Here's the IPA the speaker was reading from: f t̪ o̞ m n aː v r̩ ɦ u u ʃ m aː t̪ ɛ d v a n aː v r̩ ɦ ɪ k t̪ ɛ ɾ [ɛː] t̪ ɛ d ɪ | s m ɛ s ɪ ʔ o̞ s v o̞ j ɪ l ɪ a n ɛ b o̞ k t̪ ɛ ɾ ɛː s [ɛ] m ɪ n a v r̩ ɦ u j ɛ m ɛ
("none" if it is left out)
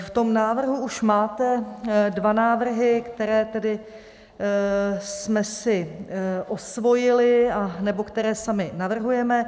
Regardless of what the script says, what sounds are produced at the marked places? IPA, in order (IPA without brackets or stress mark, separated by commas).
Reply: ɛː, a